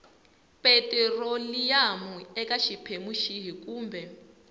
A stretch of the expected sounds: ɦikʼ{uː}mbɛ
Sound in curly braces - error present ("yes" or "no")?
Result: no